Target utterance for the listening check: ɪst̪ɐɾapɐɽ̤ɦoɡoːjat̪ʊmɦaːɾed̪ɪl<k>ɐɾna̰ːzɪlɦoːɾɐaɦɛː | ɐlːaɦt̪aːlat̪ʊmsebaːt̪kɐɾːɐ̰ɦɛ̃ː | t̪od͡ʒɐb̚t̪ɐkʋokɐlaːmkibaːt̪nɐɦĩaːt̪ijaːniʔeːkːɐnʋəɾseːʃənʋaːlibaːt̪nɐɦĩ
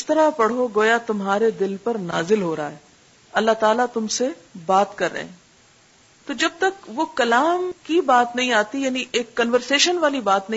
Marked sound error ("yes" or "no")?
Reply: yes